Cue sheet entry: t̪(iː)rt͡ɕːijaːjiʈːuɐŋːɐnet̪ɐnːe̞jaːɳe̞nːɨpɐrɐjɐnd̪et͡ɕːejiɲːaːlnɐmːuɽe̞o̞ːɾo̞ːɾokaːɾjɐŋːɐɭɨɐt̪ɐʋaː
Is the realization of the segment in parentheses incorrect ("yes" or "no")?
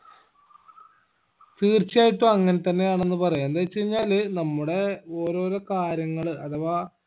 no